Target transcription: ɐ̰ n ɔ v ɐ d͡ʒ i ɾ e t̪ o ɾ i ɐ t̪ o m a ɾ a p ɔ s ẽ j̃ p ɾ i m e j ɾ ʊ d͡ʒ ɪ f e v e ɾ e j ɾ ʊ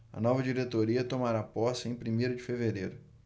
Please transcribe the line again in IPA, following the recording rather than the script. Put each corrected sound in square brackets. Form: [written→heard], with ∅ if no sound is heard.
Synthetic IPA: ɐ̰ n ɔ v ɐ d͡ʒ i ɾ e t̪ o ɾ i ɐ t̪ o m a ɾ a p ɔ s ẽ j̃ p ɾ i m e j ɾ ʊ d͡ʒ ɪ f e v e ɾ e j ɾ ʊ